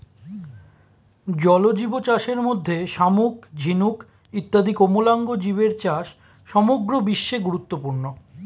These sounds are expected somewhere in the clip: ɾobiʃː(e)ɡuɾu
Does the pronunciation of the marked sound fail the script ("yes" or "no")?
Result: no